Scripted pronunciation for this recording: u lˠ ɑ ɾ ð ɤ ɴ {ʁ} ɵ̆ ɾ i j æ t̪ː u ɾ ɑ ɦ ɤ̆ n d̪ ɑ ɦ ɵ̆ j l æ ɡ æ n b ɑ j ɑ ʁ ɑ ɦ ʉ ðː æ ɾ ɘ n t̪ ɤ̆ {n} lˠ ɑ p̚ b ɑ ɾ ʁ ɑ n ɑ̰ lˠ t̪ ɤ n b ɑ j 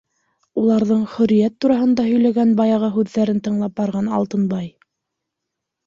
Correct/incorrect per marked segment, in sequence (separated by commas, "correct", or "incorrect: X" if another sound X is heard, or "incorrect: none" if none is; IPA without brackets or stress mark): incorrect: χ, incorrect: ɴ